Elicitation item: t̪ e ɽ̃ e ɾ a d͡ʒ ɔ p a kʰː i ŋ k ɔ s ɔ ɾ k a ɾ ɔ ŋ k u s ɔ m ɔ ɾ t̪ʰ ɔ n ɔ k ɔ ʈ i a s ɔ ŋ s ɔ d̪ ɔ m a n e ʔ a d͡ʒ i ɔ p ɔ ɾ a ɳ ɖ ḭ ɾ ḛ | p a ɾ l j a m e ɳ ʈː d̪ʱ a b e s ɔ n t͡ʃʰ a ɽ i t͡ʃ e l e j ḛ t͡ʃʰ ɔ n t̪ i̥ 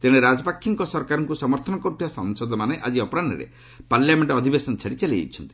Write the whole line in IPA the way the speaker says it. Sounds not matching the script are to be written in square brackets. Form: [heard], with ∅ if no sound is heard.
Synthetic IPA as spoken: t̪ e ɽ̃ e ɾ a d͡ʒ ɔ p a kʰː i ŋ k ɔ s ɔ ɾ k a ɾ ɔ ŋ k u s ɔ m ɔ ɾ t̪ʰ ɔ n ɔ k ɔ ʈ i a s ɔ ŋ s ɔ d̪ ɔ m a n e ʔ a d͡ʒ i ɔ p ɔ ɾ a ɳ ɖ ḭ ɾ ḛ | p a ɾ l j a m e ɳ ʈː d̪ʱ [i] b e s ɔ n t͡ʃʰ a ɽ i t͡ʃ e l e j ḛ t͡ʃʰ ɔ n t̪ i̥